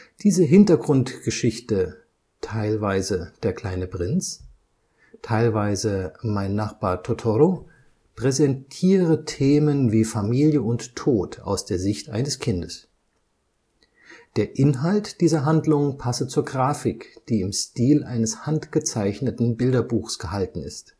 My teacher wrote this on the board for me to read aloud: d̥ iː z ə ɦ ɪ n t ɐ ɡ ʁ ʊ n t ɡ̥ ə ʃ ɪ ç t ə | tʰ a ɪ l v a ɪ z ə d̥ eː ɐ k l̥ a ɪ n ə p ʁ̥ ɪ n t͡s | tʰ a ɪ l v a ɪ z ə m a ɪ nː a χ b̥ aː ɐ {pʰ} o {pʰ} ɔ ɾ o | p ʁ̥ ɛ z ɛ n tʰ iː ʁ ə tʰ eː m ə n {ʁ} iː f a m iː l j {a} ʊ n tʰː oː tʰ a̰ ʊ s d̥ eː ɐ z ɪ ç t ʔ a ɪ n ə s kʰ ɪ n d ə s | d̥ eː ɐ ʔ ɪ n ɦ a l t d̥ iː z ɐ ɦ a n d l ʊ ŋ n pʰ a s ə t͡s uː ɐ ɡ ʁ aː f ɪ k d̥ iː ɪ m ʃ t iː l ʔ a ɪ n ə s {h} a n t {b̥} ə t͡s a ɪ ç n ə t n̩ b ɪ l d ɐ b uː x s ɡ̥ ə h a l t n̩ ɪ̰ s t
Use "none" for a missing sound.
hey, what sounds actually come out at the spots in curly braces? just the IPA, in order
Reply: tʰ, tʰ, v, ə, h, ɡ̥

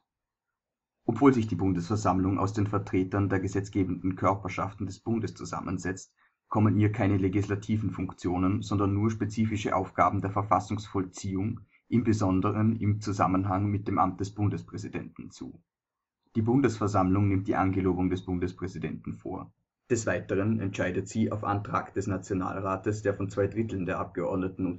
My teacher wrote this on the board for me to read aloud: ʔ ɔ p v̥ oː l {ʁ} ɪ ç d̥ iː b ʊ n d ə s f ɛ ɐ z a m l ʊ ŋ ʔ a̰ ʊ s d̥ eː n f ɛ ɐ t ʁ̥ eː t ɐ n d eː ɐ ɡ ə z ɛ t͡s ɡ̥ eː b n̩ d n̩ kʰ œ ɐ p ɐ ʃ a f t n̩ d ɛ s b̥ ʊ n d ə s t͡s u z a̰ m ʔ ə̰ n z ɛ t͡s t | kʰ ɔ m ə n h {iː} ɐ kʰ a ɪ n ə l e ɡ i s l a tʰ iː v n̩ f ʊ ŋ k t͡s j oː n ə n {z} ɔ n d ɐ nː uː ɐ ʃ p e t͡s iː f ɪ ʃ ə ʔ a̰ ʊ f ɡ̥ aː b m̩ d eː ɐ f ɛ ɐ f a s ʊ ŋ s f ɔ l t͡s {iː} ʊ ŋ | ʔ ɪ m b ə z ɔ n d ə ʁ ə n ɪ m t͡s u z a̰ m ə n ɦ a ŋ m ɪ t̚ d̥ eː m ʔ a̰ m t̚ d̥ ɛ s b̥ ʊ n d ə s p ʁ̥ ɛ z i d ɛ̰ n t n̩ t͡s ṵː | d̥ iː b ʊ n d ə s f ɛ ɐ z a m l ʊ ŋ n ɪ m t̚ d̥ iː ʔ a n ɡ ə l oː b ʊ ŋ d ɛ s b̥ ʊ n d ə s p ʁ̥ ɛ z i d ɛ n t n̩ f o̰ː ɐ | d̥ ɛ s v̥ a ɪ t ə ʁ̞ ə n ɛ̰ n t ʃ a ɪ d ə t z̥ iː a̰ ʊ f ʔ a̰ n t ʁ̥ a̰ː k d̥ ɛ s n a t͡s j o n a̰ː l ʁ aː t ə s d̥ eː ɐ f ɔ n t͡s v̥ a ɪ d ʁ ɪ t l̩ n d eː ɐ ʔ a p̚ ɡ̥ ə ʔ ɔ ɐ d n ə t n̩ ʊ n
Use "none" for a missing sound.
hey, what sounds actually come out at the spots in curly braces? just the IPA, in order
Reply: z, iː, z, iː

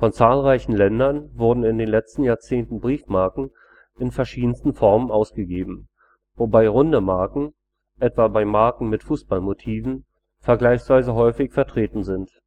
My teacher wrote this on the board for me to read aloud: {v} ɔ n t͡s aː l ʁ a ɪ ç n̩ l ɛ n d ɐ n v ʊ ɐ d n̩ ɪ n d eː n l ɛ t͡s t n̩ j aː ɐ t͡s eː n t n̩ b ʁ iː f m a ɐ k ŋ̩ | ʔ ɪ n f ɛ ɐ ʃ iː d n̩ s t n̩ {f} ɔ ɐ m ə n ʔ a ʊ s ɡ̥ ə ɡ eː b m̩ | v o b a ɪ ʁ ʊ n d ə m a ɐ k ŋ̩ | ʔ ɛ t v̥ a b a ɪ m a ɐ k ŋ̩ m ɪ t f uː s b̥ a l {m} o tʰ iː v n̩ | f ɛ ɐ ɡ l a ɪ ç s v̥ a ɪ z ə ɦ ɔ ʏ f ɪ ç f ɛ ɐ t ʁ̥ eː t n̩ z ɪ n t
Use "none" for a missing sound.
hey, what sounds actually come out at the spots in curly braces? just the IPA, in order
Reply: f, f, m

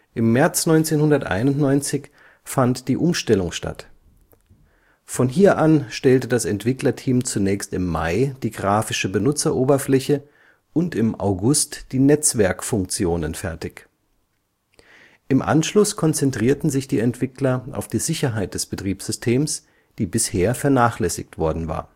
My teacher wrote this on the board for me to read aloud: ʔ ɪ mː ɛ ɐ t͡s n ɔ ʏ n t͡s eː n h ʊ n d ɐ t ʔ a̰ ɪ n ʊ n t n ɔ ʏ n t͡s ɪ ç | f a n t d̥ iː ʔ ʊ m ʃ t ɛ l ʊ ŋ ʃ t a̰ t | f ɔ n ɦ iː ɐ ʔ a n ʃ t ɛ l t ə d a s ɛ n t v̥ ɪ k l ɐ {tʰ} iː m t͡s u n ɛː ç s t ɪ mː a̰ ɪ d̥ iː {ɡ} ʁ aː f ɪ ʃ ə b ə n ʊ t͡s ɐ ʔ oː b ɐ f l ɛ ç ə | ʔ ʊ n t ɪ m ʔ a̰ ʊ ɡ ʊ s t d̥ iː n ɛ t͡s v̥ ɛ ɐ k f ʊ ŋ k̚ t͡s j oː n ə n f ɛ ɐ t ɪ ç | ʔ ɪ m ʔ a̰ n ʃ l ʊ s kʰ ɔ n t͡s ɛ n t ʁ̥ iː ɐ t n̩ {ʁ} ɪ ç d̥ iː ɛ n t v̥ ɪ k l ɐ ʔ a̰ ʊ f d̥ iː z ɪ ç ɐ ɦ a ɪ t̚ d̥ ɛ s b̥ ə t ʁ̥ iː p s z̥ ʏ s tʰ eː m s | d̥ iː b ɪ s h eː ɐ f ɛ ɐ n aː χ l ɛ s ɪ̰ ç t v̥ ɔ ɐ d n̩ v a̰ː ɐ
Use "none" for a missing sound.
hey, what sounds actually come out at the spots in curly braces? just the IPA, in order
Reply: tʰ, ɡ, z

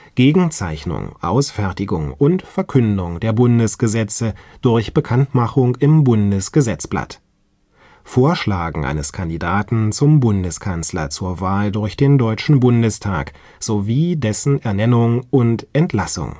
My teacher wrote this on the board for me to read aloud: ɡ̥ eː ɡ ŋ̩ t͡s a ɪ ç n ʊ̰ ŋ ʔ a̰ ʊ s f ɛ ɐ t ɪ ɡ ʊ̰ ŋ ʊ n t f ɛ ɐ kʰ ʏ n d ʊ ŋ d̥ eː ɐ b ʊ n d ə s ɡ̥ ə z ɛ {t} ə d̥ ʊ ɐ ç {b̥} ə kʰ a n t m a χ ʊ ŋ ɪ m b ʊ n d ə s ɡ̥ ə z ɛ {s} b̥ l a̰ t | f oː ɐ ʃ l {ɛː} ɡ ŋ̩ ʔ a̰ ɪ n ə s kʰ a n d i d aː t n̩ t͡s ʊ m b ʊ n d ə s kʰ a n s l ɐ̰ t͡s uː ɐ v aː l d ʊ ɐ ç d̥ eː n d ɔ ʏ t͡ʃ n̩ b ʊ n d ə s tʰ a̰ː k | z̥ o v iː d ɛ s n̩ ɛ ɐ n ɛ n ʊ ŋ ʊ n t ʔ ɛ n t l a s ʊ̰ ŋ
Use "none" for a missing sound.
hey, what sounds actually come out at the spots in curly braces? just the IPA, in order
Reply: t͡s, b̥, t͡s, aː

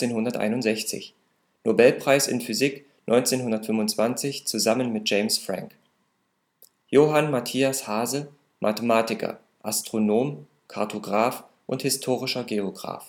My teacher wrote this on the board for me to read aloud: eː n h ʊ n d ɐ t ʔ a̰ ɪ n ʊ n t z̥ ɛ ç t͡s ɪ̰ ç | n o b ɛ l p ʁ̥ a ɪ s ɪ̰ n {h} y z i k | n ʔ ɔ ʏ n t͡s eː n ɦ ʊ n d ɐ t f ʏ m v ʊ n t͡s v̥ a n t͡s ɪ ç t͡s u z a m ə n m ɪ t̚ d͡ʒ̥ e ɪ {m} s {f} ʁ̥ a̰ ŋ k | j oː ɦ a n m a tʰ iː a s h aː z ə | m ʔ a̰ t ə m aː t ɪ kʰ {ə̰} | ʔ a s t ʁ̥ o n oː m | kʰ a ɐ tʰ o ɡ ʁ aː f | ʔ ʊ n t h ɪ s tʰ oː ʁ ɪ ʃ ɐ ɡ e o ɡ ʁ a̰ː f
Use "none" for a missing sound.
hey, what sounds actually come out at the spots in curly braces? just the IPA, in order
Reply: f, m, f, ɐ̰

